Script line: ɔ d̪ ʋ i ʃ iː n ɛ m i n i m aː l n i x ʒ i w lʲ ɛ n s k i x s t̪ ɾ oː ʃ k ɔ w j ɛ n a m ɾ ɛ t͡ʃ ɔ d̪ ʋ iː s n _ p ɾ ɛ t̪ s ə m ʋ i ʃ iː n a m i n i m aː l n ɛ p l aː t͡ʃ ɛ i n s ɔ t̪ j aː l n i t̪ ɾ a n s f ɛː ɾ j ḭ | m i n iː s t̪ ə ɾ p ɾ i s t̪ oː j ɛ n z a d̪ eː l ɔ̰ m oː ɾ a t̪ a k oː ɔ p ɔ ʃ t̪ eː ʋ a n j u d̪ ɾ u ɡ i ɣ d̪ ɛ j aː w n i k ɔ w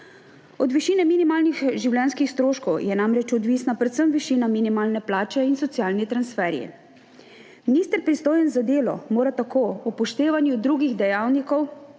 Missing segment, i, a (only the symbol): a